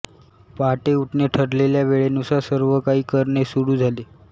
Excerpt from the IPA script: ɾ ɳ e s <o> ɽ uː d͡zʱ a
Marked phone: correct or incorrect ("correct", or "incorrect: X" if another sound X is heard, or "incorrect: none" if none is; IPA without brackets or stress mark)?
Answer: incorrect: u